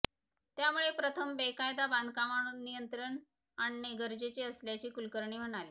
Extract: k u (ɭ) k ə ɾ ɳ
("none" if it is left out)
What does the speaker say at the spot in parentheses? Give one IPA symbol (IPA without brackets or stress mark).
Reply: l